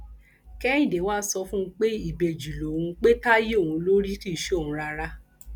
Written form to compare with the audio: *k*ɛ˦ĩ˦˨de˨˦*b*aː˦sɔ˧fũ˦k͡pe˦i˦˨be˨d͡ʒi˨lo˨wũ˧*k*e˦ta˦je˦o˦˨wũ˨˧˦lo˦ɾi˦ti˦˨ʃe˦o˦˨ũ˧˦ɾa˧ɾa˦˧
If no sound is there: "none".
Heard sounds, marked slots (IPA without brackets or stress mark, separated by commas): k, w, k͡p